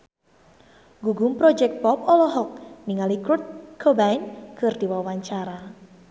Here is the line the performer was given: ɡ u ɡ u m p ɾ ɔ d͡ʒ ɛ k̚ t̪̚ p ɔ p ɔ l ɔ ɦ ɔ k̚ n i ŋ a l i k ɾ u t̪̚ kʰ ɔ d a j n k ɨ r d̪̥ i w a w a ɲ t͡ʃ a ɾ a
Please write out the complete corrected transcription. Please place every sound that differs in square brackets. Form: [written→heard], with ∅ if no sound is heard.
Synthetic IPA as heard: ɡ u ɡ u m p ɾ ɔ d͡ʒ ɛ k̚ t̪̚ p ɔ p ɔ l ɔ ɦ ɔ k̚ n i ŋ a l i k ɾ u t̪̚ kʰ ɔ [d→b] a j n k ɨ r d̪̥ i w a w a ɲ t͡ʃ a ɾ a